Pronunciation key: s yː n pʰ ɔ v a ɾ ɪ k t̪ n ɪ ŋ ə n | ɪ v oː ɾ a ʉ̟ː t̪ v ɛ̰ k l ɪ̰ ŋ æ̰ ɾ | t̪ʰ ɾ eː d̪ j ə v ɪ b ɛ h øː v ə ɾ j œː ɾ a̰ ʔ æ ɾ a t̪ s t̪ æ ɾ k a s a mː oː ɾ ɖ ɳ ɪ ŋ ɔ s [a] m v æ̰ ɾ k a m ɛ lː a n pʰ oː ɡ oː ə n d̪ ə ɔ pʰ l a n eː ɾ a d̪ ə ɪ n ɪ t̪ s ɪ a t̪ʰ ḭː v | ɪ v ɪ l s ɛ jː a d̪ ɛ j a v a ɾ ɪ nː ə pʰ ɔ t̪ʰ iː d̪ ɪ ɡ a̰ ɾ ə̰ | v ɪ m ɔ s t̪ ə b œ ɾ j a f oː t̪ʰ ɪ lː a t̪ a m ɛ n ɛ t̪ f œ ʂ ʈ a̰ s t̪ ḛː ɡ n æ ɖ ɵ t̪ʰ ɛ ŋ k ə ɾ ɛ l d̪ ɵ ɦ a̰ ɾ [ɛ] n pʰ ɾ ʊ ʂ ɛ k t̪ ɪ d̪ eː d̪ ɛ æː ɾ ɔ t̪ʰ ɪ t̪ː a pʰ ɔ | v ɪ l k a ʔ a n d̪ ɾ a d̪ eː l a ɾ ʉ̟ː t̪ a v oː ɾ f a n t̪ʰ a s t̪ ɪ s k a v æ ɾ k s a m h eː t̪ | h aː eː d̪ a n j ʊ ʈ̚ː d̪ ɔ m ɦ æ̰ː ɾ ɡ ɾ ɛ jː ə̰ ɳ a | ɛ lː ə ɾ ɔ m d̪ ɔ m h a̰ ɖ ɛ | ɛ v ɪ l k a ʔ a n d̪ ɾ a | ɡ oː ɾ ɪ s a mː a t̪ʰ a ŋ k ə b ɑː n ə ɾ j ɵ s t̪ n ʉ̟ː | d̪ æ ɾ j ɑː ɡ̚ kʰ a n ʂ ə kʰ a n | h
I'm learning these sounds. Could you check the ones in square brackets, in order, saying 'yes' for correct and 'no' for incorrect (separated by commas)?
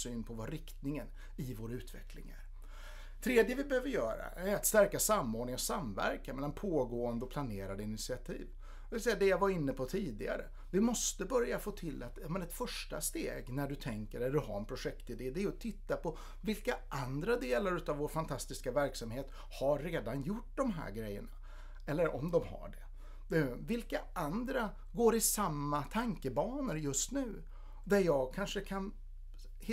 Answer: yes, yes